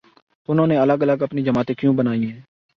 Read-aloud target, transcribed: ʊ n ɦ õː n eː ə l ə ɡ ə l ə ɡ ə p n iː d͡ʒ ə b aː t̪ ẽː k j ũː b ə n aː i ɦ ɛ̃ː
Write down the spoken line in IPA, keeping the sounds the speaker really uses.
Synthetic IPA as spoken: ʊ n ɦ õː n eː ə l ə ɡ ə l ə ɡ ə p n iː d͡ʒ ə m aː t̪ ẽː k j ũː b ə n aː i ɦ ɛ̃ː